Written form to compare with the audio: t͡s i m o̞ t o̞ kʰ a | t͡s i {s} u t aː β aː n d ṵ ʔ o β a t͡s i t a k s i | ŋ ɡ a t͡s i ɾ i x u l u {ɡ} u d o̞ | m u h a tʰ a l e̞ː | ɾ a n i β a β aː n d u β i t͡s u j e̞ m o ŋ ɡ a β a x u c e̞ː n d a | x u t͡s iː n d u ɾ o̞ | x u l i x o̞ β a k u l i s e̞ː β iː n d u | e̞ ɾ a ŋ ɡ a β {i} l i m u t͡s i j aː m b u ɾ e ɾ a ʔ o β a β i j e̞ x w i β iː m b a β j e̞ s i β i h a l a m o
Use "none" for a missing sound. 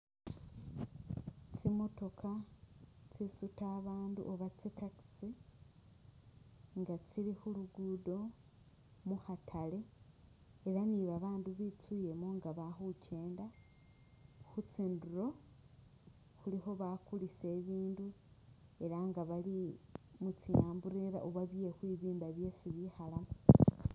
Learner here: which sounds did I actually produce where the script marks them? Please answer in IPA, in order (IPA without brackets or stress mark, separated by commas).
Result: s, ɡ, a